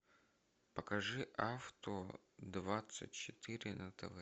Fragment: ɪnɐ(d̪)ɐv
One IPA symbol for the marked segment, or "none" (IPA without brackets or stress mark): t̪